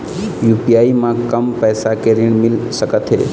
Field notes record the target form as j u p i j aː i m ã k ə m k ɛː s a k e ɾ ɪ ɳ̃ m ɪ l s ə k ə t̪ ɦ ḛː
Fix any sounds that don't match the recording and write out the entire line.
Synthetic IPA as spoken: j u p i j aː i m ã k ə m p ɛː s a k e ɾ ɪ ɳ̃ m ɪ l s ə k ə t̪ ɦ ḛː

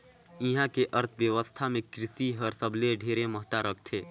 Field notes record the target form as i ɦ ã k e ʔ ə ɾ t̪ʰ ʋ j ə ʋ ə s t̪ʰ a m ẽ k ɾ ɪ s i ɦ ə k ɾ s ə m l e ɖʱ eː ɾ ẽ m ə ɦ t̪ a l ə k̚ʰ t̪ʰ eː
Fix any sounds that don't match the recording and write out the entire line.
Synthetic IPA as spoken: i ɦ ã k e ʔ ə ɾ t̪ʰ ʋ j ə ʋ ə s t̪ʰ a m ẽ k ɾ ɪ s i ɦ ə ɾ s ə b l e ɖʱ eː ɾ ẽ m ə ɦ t̪ a ɾ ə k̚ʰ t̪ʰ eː

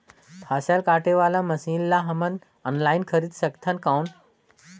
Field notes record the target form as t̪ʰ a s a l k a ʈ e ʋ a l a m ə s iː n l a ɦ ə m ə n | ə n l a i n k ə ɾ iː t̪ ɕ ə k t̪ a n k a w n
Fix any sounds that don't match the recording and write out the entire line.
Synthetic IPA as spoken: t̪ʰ a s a l k a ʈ e ʋ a l a m ə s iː n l a ɦ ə m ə n | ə n l a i n kʰ ə ɾ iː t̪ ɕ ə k t̪ʰ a n k a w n

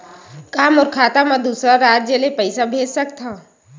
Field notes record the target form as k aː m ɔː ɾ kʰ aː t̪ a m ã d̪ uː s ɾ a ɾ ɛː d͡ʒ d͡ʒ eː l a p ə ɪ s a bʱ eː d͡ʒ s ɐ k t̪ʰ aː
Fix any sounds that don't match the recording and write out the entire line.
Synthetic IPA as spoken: k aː m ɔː ɾ kʰ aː t̪ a m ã d̪ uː s ɾ a ɾ aː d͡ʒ d͡ʒ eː l e p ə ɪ s a bʱ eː d͡ʒ s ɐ k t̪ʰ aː

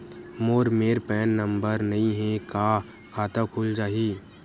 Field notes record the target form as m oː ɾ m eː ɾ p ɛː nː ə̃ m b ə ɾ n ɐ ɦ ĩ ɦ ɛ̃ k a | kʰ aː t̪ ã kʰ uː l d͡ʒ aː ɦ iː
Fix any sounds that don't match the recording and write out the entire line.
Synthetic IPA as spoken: m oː ɾ m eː ɾ p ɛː nː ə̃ m b ə ɾ n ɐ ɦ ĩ ɦ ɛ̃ k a | kʰ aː t̪ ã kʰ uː l d͡ʒ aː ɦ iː

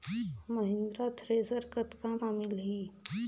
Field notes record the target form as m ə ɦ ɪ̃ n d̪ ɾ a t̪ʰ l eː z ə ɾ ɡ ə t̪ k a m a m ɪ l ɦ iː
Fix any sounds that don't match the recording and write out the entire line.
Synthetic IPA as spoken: m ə ɦ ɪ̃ n d̪ ɾ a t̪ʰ ɾ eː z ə ɾ k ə t̪ k a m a m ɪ l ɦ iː

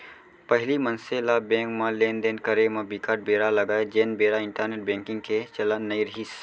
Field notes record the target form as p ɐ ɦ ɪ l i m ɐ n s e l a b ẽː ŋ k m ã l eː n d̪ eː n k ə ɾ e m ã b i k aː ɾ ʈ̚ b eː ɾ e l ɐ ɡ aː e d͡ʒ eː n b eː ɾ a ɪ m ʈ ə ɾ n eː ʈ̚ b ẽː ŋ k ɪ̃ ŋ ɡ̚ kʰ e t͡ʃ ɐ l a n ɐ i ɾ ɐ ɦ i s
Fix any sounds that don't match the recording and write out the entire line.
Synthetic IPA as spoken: p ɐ ɦ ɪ l i m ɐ n s e l a b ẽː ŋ k m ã l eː n d̪ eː n k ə ɾ e m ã b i k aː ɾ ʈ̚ b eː ɾ a l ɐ ɡ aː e d͡ʒ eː n b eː ɾ a ɪ ɳ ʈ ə ɾ n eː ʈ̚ b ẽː ŋ k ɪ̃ ŋ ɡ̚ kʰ e t͡ʃ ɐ l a n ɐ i ɾ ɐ ɦ i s

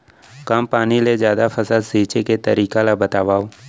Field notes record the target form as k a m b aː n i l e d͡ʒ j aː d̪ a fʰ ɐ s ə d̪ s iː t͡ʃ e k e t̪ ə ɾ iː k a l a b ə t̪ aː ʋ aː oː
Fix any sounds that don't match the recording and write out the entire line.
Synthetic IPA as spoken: k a m p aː n i l e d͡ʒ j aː d̪ a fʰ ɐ s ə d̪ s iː t͡ʃ e k e t̪ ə ɾ iː k a l a b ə t̪ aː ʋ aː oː

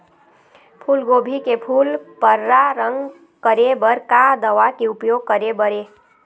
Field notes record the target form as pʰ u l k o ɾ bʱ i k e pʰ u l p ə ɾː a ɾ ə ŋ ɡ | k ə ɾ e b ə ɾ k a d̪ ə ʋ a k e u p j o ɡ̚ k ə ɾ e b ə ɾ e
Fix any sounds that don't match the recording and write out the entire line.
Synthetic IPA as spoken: pʰ u l ɡ o bʱ i k e pʰ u l p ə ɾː a ɾ ə ŋ ɡ | k ə ɾ e b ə ɾ k a d̪ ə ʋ a k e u p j o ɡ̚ k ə ɾ e b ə ɾ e

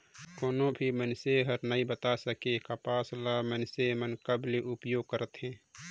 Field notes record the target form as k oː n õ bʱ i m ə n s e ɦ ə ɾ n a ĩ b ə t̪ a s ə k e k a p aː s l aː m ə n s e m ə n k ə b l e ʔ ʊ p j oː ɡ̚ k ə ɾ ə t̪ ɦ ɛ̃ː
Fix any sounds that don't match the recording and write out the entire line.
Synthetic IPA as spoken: k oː n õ bʱ i m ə n s e ɦ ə ɾ n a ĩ b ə t̪ a s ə k e k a p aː s l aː m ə n s e m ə n k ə b l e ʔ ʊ p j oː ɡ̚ k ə ɾ ə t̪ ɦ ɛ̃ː

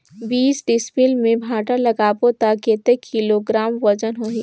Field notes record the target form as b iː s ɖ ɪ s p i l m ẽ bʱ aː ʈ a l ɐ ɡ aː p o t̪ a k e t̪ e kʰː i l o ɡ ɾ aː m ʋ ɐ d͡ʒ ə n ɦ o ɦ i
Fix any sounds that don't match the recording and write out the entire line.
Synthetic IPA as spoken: b iː s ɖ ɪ s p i l m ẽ bʱ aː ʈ a l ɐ ɡ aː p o t̪ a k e t̪ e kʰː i l o ɡ ɾ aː m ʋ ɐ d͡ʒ ə n ɦ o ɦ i

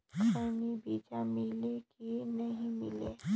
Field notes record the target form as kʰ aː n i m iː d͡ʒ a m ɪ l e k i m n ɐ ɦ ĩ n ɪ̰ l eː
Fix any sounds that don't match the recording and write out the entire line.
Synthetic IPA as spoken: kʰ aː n i b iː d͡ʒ a m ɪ l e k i n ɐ ɦ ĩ m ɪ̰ l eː

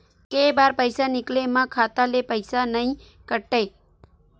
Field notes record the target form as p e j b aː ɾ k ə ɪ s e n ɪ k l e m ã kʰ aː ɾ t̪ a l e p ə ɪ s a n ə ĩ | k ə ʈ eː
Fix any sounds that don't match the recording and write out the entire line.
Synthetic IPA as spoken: k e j b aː ɾ p ə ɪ s a n ɪ k l e m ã kʰ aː t̪ a l e p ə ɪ s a n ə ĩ | k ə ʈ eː

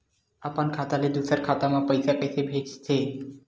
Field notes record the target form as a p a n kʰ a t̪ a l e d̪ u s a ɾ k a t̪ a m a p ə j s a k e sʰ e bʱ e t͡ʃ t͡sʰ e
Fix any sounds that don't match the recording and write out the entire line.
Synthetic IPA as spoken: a p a n kʰ a t̪ a l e d̪ u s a ɾ kʰ a t̪ a m a p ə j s a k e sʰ e bʱ e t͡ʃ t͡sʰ e

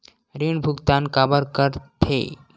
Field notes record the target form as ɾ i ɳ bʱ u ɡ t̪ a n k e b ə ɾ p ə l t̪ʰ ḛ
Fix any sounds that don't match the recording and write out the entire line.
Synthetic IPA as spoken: ɾ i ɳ bʱ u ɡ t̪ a n k a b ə ɾ k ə ɾ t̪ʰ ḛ

